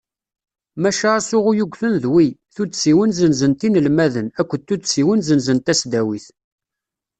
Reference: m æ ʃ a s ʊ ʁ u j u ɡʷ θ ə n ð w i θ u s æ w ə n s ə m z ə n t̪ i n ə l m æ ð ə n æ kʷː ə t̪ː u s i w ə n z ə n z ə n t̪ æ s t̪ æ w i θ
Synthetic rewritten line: m æ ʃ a s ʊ ʁ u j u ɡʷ θ ə n ð w i θ u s i w ə n z ə n z ə n t̪ i n ə l m æ ð ə n æ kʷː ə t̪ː u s i w ə n z ə n z ə n t̪ æ s d̪ æ w i θ